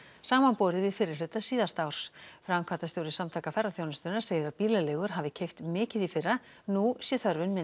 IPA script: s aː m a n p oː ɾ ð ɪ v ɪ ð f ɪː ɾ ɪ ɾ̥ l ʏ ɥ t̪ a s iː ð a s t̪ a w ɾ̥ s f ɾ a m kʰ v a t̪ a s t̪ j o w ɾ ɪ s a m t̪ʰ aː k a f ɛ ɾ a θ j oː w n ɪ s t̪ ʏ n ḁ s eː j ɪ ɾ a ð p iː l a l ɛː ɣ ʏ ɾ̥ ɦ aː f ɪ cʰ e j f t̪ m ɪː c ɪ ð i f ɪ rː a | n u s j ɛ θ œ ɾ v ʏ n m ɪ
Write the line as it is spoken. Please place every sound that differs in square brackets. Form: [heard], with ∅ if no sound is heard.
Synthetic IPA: s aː m a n p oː ɾ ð ɪ v ɪ ð f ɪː ɾ ɪ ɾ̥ l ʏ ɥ t̪ a s iː ð a s t̪ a w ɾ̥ s f ɾ a m kʰ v a t̪ a s t̪ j o w ɾ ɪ s a m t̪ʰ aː k a f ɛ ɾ a θ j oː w n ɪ s t̪ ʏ n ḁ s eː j ɪ ɾ a ð p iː l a l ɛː ɣ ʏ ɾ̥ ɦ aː [v] ɪ cʰ e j f t̪ m ɪː c ɪ ð i f ɪ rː a | n u s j ɛ θ œ ɾ v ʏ n m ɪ

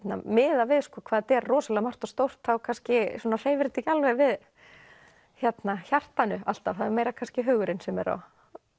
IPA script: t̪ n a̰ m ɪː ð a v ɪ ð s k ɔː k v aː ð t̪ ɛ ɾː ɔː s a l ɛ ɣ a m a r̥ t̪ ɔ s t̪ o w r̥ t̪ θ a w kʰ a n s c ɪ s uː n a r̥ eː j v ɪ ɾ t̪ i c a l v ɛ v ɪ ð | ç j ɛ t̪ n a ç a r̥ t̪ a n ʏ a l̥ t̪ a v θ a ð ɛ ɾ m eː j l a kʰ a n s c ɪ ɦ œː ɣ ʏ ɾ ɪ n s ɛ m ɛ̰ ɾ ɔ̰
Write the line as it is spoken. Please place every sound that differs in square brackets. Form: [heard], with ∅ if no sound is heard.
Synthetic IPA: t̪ n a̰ m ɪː ð a v ɪ ð s k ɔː [kʰ] v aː ð t̪ ɛ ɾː ɔː s a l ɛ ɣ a m a r̥ t̪ ɔ s t̪ o w r̥ t̪ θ a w kʰ a n s c ɪ s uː n a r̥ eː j v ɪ ɾ t̪ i c a l v ɛ v ɪ ð | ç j ɛ t̪ n a ç a r̥ t̪ a n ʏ a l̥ t̪ a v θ a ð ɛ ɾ m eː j [ɾ] a kʰ a n s c ɪ ɦ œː ɣ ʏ ɾ ɪ n s ɛ m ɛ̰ ɾ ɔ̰

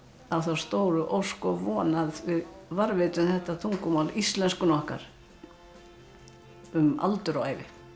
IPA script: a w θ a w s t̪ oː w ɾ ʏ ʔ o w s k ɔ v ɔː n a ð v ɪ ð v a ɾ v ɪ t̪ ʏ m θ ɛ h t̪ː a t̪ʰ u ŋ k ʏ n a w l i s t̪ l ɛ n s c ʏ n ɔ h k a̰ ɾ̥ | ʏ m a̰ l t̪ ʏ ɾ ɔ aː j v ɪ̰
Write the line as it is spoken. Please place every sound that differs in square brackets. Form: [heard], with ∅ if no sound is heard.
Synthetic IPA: a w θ a w s t̪ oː w ɾ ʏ ʔ o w s k ɔ v ɔː n a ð v ɪ ð v a ɾ v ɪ t̪ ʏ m θ ɛ h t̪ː a t̪ʰ u ŋ k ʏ [m] a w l i s t̪ l ɛ n s [k] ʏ n ɔ h k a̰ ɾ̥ | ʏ m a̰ l t̪ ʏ ɾ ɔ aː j v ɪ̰

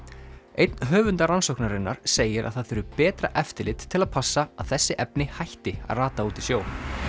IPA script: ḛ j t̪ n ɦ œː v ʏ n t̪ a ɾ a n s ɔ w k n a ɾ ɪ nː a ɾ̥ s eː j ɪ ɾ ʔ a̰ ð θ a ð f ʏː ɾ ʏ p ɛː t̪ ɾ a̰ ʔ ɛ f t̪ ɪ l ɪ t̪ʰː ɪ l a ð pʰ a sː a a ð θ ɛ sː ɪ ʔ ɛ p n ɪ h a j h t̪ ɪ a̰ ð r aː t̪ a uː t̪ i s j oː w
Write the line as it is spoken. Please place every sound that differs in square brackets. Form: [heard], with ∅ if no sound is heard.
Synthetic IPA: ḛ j t̪ n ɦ œː v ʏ n t̪ a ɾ a n s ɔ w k n a ɾ ɪ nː a ɾ̥ s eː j ɪ ɾ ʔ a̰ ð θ a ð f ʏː ɾ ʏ p ɛː t̪ ɾ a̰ ʔ ɛ f t̪ ɪ l ɪ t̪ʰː ɪ l a ð pʰ a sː a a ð θ ɛ sː ɪ ʔ ɛ p n ɪ h a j h t̪ ɪ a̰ ð r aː t̪ a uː t̪ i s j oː w

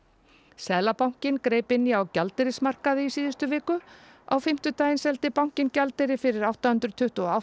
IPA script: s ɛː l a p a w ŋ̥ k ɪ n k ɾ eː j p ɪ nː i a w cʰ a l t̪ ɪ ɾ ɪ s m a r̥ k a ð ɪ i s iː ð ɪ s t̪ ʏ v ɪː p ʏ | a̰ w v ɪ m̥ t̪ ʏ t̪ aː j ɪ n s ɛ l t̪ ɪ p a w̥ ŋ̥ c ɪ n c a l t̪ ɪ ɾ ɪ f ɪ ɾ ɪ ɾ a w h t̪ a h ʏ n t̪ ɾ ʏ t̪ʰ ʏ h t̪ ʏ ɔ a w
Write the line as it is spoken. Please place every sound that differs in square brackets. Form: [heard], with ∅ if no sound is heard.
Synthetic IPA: s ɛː l a p a w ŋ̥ [c] ɪ n k ɾ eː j p ɪ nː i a w [c] a l t̪ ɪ ɾ ɪ s m a r̥ k a ð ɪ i s iː ð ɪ s t̪ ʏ v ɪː [k] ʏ | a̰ w [f] ɪ m̥ t̪ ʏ t̪ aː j ɪ n s ɛ l t̪ ɪ p a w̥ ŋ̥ c ɪ n c a l t̪ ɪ ɾ ɪ f ɪ ɾ ɪ ɾ a w h t̪ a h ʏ n t̪ ɾ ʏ t̪ʰ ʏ h t̪ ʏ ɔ a w

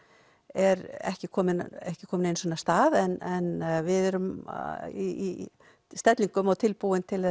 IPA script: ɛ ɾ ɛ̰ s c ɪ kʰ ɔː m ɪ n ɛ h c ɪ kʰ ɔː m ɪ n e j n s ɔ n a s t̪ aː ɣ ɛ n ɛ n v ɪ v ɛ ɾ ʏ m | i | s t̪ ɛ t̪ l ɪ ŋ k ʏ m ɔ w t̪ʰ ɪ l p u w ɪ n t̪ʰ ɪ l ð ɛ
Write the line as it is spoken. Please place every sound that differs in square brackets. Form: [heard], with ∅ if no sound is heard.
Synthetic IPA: ɛ ɾ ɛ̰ [h] c ɪ kʰ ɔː m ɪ n ɛ h c ɪ kʰ ɔː m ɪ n e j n s ɔ n a s t̪ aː [ð] ɛ n ɛ n v ɪ [ð] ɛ ɾ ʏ m | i | s t̪ ɛ t̪ l [i] ŋ k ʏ m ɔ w t̪ʰ ɪ l p u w ɪ n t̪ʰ ɪ l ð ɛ

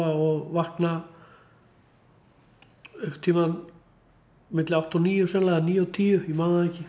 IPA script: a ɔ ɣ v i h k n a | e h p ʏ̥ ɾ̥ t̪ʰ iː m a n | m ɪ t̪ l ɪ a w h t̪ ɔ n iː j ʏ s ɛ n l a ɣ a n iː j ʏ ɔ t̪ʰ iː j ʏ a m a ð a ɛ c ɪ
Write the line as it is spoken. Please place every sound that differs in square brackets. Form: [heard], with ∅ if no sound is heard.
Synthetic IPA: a ɔ ɣ v [a] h k n a | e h [k] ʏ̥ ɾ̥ t̪ʰ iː m a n | m ɪ t̪ l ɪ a w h t̪ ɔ n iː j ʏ s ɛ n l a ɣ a n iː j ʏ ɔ t̪ʰ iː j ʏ [i] m a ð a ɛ c ɪ

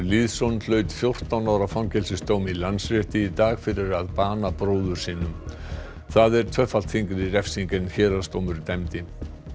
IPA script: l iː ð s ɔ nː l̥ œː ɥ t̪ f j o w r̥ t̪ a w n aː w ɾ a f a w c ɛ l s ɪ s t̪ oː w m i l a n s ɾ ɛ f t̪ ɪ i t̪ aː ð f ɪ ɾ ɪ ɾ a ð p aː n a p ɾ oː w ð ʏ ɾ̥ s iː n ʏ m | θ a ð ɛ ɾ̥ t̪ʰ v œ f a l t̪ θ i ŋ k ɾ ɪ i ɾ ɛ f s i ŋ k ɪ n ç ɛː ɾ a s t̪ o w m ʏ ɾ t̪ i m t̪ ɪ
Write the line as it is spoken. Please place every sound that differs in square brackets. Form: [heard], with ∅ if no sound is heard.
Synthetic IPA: l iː ð s ɔ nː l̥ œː ɥ t̪ f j o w r̥ t̪ a w n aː w ɾ a f a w c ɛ l s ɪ s t̪ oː w m i l a n s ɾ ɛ [h] t̪ ɪ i t̪ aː [ɣ] f ɪ ɾ ɪ ɾ a ð p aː n a p ɾ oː w ð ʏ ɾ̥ s iː n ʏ m | θ a ð ɛ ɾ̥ t̪ʰ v œ f a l t̪ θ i ŋ k ɾ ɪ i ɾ ɛ f s i ŋ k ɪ n ç ɛː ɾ a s t̪ o w m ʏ ɾ t̪ [ɛ] m t̪ ɪ

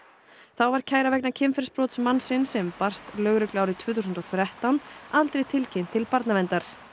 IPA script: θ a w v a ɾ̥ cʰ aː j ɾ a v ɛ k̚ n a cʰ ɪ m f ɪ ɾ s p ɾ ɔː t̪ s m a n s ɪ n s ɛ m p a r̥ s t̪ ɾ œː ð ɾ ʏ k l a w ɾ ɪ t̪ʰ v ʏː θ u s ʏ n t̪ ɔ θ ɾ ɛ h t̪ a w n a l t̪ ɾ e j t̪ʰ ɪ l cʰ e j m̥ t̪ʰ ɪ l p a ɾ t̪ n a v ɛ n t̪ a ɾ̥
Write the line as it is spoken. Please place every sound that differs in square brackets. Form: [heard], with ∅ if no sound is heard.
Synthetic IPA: θ a w v a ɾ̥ cʰ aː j ɾ a v ɛ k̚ n a cʰ ɪ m f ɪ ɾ s p ɾ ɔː t̪ s m a n s ɪ n s ɛ m p a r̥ s t̪ [l] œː [ɣ] ɾ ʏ k l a w ɾ ɪ t̪ʰ v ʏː θ u s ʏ n t̪ ɔ θ ɾ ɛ h t̪ a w n a l t̪ ɾ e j t̪ʰ ɪ l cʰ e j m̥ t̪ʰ ɪ l p a ɾ t̪ n a v ɛ n t̪ a ɾ̥

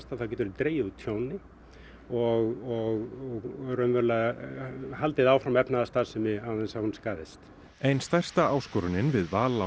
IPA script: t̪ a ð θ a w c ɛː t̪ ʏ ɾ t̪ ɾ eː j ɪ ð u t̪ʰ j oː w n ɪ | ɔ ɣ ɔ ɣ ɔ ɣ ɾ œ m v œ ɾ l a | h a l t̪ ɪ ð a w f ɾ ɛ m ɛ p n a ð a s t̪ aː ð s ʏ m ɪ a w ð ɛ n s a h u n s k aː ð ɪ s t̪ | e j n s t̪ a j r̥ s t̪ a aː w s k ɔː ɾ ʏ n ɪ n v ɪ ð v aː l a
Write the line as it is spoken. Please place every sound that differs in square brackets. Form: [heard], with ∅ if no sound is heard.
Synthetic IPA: t̪ a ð θ a w c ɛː t̪ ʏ ɾ t̪ ɾ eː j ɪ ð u t̪ʰ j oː w n ɪ | ɔ ɣ ɔ ɣ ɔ ɣ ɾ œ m v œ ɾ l a | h a l t̪ ɪ ð a w f ɾ [a] m ɛ p n a ð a s t̪ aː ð s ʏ m ɪ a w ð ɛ n s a h u n s k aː ð ɪ s t̪ | e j n s t̪ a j r̥ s t̪ a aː w s k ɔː ɾ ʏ n ɪ n v ɪ ð v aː l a

